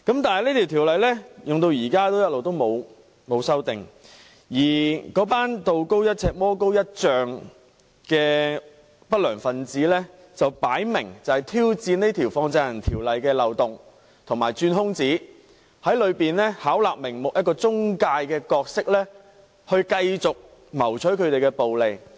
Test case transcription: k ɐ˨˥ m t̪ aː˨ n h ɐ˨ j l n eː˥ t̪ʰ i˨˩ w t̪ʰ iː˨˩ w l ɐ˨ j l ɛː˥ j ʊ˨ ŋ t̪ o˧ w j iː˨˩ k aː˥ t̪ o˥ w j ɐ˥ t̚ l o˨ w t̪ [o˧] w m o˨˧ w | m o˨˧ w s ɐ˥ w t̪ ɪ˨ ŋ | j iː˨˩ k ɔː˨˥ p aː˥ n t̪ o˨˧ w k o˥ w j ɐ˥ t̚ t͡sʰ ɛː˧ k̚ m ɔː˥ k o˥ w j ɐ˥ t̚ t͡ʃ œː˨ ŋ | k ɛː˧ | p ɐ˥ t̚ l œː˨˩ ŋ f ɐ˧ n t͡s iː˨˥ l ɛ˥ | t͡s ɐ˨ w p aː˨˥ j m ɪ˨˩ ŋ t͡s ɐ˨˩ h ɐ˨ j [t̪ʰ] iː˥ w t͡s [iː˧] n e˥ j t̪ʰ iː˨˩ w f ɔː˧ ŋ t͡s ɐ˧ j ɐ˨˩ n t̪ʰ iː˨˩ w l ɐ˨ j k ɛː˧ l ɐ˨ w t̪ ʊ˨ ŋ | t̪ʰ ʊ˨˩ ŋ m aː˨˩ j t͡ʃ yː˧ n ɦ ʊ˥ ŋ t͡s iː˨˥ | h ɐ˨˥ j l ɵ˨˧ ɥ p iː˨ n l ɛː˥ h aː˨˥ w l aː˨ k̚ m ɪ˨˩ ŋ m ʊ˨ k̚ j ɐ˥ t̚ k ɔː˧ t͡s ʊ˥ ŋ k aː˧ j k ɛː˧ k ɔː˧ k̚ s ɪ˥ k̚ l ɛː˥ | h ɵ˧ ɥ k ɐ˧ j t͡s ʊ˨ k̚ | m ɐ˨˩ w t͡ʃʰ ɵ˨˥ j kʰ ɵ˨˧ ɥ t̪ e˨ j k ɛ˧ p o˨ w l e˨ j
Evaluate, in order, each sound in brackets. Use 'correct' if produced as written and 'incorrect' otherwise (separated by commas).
incorrect, correct, correct